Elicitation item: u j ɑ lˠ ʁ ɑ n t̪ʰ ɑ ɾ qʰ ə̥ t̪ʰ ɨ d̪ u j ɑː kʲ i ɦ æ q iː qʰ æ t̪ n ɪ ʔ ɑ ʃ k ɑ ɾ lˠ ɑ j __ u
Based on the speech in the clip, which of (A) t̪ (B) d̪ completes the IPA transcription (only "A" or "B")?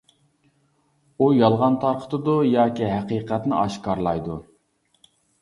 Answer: B